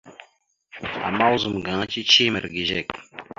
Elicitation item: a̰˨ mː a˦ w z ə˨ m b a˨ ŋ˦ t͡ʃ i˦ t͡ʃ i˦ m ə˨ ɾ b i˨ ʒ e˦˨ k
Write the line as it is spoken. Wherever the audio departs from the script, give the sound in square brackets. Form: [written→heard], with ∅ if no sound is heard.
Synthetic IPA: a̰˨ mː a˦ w z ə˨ m [b→ɡ] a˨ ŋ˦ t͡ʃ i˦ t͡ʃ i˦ m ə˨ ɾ [b→ɡ] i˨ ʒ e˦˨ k